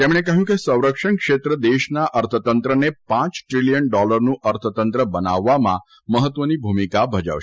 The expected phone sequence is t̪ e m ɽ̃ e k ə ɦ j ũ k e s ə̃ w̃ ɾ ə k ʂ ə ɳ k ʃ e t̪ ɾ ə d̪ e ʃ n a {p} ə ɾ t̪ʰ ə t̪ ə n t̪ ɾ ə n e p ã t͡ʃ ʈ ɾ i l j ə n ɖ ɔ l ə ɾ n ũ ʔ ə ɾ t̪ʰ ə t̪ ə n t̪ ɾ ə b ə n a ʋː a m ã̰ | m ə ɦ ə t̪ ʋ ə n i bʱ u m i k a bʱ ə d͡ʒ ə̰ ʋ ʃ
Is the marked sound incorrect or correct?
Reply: incorrect